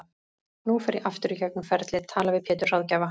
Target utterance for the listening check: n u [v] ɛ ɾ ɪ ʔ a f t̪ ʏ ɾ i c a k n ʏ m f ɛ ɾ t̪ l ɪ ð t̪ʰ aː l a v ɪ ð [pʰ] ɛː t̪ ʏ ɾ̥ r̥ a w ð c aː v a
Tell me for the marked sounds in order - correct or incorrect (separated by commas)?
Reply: incorrect, correct